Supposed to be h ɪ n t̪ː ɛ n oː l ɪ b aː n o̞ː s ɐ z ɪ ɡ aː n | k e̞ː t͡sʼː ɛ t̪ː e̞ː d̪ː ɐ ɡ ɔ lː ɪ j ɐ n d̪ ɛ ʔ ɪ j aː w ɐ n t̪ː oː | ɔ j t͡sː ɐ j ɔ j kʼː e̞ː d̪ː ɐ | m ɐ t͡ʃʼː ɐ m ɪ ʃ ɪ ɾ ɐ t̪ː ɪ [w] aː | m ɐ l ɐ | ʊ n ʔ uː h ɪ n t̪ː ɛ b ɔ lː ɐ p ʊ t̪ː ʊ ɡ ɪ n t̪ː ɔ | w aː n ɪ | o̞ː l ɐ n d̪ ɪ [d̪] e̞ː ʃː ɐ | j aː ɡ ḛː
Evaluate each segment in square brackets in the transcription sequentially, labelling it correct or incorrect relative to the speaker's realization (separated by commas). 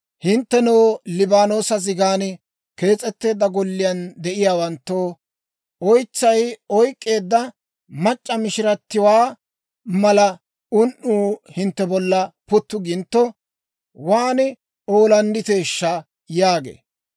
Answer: correct, incorrect